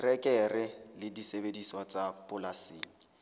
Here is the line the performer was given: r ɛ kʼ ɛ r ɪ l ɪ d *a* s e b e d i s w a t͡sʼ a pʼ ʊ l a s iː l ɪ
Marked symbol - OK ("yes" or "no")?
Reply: no